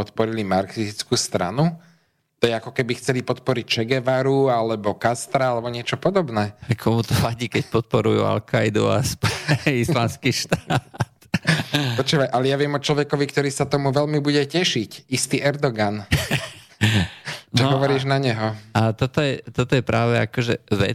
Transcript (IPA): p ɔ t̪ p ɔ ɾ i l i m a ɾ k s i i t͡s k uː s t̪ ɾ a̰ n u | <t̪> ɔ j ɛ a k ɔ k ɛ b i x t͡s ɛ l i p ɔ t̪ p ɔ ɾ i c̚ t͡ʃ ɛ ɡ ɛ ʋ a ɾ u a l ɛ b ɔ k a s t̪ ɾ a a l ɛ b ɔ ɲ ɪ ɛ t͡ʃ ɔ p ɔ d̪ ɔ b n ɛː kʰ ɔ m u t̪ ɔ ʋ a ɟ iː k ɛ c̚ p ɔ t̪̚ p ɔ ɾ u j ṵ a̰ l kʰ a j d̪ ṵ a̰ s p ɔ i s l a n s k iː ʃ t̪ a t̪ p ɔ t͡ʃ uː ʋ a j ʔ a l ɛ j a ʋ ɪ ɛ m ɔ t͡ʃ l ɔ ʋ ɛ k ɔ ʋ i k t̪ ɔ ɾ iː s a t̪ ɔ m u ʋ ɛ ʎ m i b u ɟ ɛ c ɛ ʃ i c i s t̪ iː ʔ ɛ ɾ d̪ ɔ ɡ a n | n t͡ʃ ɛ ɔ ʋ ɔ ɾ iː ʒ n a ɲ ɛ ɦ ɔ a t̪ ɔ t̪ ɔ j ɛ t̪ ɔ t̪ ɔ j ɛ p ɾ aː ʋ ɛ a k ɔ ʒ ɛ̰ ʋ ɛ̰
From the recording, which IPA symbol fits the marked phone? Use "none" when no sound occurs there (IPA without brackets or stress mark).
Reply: t̪